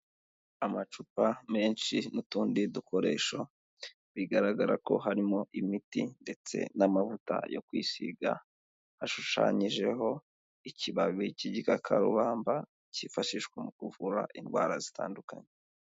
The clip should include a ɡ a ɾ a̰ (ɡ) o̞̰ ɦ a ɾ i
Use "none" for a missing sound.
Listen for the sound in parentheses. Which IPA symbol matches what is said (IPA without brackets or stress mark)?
k